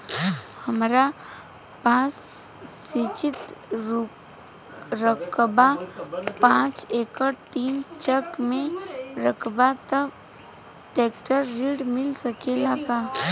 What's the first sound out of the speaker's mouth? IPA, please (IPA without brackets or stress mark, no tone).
h